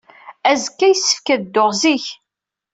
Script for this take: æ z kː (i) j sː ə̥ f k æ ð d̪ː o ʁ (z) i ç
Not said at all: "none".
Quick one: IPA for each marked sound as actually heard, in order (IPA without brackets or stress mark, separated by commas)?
æ, z